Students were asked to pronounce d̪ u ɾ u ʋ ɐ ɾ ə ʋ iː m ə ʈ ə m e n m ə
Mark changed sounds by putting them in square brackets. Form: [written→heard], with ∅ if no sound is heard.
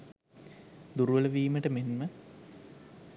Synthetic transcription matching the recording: d̪ u ɾ u ʋ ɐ [ɾ→l] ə ʋ iː m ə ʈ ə m e n m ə